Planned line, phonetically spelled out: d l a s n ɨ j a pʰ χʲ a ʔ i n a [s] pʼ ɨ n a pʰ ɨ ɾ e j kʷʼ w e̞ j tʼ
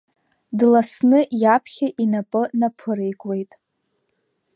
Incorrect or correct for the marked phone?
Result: incorrect: none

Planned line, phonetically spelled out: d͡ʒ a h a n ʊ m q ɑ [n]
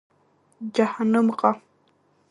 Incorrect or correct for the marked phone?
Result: incorrect: none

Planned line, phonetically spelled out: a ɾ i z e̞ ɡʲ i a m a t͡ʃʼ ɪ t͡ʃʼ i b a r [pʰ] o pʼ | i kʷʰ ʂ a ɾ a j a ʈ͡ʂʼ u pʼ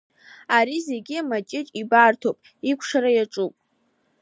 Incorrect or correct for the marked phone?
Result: incorrect: tʰ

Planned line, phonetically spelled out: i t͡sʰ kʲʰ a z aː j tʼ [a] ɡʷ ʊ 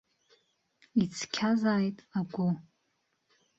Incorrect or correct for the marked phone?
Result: correct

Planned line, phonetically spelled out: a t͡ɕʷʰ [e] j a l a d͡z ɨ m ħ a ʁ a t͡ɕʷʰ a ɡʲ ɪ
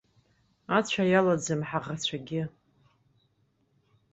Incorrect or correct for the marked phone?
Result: incorrect: a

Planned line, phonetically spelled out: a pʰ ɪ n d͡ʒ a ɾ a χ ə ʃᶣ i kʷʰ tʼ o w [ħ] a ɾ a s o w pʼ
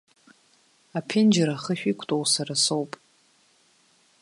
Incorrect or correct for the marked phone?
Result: incorrect: s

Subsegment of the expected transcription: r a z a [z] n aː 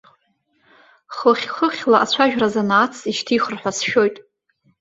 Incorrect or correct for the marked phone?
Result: incorrect: none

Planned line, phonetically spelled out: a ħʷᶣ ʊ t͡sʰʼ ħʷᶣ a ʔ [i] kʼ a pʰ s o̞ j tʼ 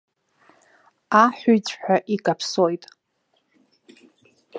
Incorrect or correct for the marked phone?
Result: correct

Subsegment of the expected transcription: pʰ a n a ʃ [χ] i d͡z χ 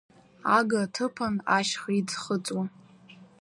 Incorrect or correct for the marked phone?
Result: correct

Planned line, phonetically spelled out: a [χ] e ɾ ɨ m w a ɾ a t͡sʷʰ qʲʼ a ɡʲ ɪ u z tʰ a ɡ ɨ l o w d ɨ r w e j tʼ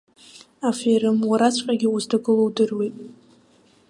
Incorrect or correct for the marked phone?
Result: incorrect: f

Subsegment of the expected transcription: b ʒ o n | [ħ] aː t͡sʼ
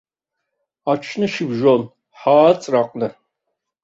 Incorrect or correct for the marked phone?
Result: correct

